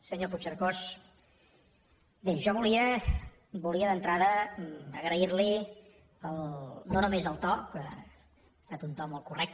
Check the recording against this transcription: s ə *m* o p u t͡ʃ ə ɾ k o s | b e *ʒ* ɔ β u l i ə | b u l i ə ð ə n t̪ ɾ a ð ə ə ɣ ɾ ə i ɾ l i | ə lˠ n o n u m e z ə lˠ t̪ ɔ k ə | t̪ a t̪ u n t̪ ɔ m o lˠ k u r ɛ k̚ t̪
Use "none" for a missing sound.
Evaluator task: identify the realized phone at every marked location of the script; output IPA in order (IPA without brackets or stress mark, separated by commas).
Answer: ɲ, ʒ